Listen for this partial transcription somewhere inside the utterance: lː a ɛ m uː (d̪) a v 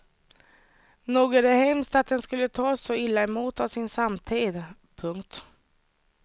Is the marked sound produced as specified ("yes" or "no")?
no